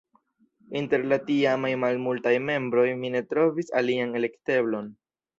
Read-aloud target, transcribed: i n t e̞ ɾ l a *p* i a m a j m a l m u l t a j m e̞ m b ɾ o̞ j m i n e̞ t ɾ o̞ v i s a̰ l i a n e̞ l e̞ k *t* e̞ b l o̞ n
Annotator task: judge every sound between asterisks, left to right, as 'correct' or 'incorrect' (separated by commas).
incorrect, correct